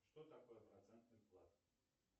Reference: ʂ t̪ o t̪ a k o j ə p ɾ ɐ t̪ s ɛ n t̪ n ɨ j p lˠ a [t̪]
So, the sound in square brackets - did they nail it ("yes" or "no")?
yes